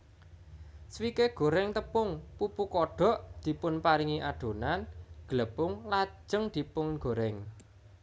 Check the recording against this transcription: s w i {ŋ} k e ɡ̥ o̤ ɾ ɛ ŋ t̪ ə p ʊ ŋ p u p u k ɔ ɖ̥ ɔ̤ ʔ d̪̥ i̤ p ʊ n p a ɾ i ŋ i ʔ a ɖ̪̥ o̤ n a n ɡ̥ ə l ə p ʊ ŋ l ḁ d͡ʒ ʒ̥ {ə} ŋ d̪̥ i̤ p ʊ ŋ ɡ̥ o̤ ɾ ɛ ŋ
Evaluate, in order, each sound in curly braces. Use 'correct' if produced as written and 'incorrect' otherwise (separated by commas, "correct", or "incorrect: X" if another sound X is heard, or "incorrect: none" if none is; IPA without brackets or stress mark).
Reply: incorrect: none, correct